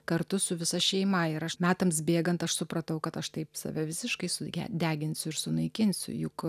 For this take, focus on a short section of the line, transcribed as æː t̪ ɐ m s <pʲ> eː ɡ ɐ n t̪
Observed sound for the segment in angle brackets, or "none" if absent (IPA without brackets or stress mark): bʲ